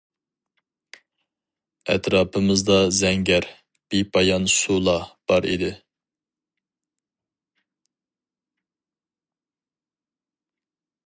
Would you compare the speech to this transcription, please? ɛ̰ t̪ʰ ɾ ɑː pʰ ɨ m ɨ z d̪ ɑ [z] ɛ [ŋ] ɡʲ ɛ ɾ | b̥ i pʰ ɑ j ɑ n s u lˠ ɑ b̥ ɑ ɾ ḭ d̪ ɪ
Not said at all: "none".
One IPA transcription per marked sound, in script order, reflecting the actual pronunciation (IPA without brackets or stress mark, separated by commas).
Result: z, ŋ